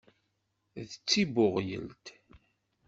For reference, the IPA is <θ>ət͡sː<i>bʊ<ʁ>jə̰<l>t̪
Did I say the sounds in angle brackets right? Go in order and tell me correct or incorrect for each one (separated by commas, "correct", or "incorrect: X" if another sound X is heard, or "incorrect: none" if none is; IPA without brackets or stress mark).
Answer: incorrect: ð, correct, correct, correct